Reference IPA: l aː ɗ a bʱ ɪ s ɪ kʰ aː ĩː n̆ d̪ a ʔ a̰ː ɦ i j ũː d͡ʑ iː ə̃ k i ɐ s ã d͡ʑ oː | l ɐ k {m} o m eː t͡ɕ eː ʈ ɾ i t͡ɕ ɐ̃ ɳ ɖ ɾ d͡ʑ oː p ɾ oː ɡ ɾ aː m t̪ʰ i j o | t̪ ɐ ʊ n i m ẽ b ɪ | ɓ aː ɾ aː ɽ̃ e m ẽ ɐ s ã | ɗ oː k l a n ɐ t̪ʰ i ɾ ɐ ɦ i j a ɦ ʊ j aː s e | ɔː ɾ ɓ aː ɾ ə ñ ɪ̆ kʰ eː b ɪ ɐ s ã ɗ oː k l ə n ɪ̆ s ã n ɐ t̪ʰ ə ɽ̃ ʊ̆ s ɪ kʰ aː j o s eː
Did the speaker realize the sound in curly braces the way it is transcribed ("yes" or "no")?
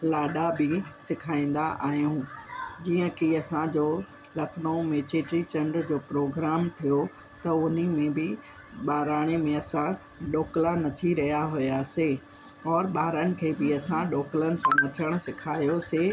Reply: no